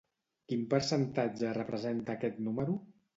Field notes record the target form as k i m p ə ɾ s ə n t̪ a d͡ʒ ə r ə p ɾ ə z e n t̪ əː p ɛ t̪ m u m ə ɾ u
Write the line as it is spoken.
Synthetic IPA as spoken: k i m p ə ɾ s ə n t̪ a d͡ʒ ə r ə p ɾ ə z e n t̪ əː k ɛ t̪ n u m ə ɾ u